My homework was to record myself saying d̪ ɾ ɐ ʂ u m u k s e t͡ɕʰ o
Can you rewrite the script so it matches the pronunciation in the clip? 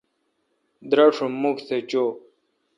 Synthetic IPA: d̪ ɾ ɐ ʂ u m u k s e t͡ɕ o